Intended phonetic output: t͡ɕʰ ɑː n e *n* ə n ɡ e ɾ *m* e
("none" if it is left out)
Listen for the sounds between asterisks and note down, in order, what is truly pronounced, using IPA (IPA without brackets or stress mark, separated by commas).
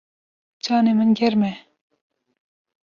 m, m